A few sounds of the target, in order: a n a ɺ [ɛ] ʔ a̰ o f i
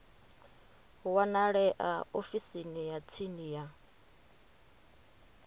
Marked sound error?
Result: no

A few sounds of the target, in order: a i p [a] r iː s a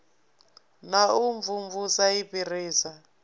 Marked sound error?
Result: yes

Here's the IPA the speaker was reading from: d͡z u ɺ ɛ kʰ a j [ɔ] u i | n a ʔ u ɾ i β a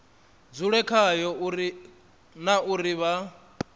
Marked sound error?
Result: no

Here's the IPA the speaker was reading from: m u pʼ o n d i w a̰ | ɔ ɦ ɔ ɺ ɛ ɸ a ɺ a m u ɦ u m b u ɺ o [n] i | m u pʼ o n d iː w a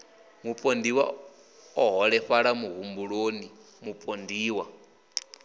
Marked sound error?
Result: no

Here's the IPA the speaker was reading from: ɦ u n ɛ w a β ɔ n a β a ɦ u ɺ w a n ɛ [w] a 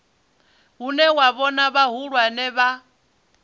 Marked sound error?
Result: yes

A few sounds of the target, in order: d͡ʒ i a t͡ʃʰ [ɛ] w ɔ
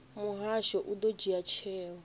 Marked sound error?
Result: yes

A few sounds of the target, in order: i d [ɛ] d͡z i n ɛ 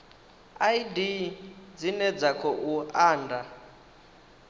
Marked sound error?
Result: yes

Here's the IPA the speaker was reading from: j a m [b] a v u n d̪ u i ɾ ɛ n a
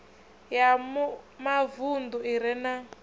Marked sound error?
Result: yes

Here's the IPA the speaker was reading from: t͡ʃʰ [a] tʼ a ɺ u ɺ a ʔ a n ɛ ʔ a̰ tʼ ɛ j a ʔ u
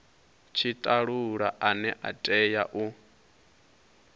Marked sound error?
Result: yes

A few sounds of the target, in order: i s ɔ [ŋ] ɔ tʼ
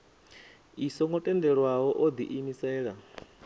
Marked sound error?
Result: no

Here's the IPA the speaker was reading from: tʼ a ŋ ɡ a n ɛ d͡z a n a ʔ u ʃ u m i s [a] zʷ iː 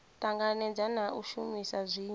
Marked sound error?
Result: no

